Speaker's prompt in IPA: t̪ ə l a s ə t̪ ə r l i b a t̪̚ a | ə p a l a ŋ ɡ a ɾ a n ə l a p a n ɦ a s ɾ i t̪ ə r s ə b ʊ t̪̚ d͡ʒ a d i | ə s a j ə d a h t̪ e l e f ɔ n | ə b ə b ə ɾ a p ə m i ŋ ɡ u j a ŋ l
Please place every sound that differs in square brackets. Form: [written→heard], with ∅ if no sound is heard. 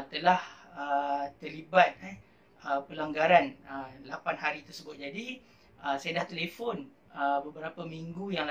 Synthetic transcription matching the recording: t̪ ə l a [s→h] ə t̪ ə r l i b a t̪̚ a | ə p [a→ə] l a ŋ ɡ a ɾ a n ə l a p a n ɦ a [s→∅] ɾ i t̪ ə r s ə b ʊ t̪̚ d͡ʒ a d i | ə s a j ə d a h t̪ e l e f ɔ n | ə b ə b ə ɾ a p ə m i ŋ ɡ u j a ŋ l